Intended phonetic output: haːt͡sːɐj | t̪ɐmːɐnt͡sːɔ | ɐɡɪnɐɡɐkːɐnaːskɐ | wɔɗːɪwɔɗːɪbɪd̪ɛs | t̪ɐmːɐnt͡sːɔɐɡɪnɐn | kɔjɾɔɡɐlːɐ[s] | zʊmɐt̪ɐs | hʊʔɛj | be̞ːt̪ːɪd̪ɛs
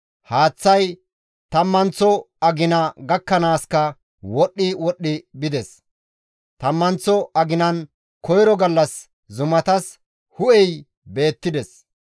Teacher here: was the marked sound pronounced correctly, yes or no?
yes